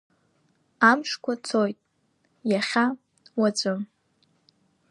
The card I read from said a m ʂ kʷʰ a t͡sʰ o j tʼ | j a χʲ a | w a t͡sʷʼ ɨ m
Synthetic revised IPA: a m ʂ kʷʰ a t͡sʰ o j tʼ | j a χʲ a | w a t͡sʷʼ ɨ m